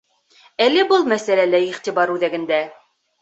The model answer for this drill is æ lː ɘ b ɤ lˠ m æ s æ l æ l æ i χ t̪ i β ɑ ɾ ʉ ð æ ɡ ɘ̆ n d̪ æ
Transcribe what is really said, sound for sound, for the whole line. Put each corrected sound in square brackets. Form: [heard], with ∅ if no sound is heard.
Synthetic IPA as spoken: æ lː ɘ b ɤ lˠ m æ s æ l æ l æ i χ t̪ i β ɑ ɾ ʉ ð æ ɡ ɘ̆ n d̪ æ